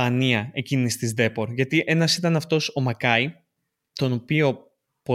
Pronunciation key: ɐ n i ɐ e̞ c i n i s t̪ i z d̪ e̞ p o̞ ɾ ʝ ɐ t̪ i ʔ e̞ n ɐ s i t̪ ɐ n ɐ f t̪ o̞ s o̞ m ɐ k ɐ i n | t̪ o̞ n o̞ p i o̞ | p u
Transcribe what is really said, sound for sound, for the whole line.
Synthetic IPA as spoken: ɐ n i ɐ e̞ c i n i s t̪ i z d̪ e̞ p o̞ ɾ ʝ ɐ t̪ i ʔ e̞ n ɐ s i t̪ ɐ n ɐ f t̪ o̞ s o̞ m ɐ k ɐ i | t̪ o̞ n o̞ p i o̞ | p o